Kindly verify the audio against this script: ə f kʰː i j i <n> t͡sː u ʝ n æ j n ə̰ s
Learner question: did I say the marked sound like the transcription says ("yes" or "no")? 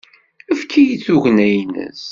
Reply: no